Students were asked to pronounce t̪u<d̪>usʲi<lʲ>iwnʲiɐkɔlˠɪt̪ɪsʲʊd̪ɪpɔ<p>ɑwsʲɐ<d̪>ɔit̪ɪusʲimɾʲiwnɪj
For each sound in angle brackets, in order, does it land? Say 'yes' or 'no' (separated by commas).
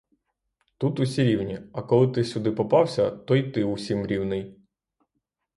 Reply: no, no, yes, no